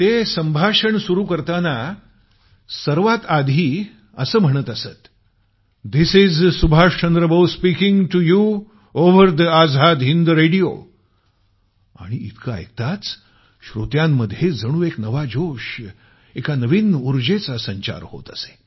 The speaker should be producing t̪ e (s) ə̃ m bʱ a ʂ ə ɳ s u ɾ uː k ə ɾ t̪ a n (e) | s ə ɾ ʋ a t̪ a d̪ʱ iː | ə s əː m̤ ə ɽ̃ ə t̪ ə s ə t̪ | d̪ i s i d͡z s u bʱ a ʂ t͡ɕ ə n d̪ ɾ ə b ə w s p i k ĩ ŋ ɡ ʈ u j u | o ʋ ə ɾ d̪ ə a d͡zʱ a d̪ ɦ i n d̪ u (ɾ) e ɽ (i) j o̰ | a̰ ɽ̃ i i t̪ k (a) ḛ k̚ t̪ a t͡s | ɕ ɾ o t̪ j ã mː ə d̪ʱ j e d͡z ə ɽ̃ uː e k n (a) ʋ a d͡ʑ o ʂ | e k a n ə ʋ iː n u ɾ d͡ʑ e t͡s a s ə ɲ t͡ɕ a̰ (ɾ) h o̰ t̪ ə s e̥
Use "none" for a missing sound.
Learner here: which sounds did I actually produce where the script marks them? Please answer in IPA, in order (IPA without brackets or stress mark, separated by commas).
s, a, ɾ, i, a, ə, ɾ